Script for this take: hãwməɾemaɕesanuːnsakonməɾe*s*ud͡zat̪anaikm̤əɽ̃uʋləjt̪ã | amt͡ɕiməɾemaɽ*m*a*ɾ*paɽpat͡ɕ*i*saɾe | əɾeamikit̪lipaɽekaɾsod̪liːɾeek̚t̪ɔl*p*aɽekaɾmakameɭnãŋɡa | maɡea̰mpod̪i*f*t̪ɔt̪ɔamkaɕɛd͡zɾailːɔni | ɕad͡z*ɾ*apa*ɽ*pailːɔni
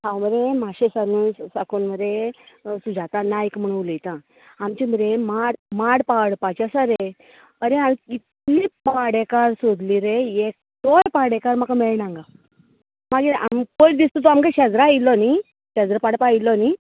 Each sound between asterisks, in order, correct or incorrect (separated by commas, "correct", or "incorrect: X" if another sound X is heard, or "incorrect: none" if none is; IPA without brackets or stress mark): correct, correct, incorrect: ɽ, incorrect: a, correct, incorrect: s, correct, correct